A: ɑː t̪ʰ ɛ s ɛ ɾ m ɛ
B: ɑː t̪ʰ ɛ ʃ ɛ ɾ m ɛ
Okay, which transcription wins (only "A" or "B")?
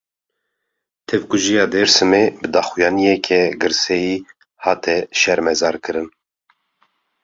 B